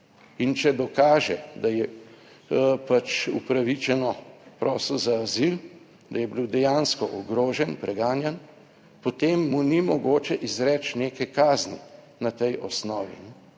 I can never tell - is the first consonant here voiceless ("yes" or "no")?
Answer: no